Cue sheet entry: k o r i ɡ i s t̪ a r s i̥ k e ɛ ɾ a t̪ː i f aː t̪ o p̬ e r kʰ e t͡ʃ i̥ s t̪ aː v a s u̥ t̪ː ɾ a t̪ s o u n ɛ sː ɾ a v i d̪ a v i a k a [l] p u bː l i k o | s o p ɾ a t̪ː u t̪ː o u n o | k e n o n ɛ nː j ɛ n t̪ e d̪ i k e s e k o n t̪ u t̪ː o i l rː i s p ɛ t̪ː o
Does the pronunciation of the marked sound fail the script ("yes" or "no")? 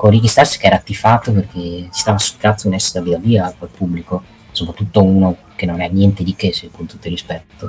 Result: no